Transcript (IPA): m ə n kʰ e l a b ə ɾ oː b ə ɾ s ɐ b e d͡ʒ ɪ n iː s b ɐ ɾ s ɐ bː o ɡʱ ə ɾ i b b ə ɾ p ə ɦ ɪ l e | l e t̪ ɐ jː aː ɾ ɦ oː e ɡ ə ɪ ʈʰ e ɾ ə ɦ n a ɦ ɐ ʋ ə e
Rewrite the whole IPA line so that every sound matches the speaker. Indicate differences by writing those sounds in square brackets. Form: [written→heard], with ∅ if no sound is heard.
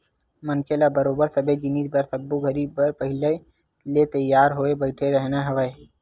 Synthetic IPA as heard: m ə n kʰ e l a b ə ɾ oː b ə ɾ s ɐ b e d͡ʒ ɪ n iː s b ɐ ɾ s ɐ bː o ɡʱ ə ɾ i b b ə ɾ p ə ɦ ɪ l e | l e t̪ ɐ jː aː ɾ ɦ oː e [ɡ→b] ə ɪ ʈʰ e ɾ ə ɦ n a ɦ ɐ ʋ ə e

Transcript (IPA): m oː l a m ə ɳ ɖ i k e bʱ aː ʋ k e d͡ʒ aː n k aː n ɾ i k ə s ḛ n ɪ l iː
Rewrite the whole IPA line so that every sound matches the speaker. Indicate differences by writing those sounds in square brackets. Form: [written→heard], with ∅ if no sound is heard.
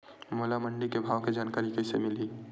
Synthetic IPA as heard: m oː l a m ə ɳ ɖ i k e bʱ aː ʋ k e d͡ʒ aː n k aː [n→∅] ɾ i k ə s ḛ [n→m] ɪ l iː

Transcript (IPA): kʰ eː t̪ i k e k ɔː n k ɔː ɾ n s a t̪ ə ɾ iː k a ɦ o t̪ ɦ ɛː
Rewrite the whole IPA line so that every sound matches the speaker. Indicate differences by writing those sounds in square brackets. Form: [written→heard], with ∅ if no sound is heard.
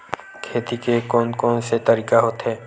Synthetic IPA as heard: kʰ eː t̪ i k e k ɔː n k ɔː [ɾ→∅] n s [a→e] t̪ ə ɾ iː k a ɦ o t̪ ɦ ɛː

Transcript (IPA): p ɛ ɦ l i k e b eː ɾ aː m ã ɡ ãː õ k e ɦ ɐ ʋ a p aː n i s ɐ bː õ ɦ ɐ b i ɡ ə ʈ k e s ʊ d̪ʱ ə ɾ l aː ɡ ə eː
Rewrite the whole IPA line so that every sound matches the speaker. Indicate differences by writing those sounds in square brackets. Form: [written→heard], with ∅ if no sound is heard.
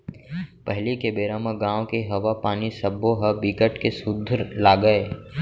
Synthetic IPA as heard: p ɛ ɦ l i k e b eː ɾ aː m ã ɡ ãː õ k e ɦ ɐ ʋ a p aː n i s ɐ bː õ ɦ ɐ b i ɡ ə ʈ k e s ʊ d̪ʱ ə ɾ l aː ɡ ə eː

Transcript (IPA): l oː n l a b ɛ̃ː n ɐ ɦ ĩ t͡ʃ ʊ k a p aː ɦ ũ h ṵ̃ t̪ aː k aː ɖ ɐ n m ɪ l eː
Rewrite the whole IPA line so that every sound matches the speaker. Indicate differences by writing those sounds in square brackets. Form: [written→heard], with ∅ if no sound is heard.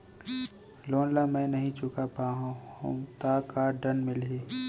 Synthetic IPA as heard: l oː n l a [b→m] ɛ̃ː n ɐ ɦ ĩ t͡ʃ ʊ k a p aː ɦ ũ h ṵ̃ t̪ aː k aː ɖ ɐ n m ɪ l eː

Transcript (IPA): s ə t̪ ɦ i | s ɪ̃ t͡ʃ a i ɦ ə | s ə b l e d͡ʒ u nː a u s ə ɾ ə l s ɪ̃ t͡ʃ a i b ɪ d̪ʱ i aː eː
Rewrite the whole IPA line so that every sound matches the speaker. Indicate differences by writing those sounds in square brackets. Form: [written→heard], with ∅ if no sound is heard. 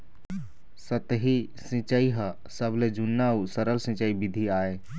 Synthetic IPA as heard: s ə t̪ ɦ i | s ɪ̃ t͡ʃ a i ɦ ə | s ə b l e d͡ʒ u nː a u s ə ɾ ə l s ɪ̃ t͡ʃ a i b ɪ d̪ʱ i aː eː

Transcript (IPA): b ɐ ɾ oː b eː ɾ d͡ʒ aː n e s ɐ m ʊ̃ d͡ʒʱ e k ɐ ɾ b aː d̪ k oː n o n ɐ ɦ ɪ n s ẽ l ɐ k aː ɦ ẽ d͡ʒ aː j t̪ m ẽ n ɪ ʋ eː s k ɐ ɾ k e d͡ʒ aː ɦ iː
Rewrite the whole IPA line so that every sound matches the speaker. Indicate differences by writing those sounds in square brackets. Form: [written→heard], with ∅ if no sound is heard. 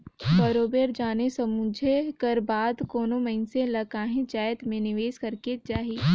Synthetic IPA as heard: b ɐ ɾ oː b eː ɾ d͡ʒ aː n e s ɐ m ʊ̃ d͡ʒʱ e k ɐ ɾ b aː d̪ k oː n o [n→m] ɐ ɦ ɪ n s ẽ l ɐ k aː ɦ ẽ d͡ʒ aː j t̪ m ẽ n ɪ ʋ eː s k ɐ ɾ k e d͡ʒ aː ɦ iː

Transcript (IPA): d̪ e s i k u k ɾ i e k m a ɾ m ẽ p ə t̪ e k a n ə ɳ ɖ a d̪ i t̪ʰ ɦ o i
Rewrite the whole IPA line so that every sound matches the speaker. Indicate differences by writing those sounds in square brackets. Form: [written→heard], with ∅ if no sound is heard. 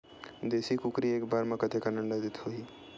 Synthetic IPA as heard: d̪ e s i k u k ɾ i e k [m→b] a ɾ m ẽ [p→k] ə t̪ e k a n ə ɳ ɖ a d̪ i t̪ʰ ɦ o i

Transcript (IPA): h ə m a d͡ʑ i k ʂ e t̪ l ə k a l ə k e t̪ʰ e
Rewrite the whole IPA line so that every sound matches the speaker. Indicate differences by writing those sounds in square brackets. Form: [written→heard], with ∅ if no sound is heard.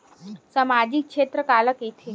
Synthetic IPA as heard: [h→s] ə m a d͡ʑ i k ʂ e t̪ [l→ɾ] ə k a l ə k e t̪ʰ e

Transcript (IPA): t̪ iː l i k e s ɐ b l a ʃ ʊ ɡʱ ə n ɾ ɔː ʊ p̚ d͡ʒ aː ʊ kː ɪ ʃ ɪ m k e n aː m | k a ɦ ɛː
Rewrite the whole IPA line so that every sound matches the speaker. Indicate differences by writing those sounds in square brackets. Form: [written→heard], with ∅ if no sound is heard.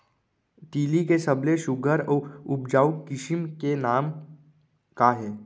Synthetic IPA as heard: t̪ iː l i k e s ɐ b l [a→e] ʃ ʊ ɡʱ ə [n→∅] ɾ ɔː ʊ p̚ d͡ʒ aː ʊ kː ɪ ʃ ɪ m k e n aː m | k a ɦ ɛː

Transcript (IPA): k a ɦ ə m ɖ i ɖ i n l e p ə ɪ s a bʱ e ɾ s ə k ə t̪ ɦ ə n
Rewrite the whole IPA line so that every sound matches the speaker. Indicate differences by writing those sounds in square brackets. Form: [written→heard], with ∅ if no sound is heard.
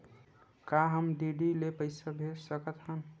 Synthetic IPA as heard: k a ɦ ə m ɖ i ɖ i [n→∅] l e p ə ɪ s a bʱ e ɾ s ə k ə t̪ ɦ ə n

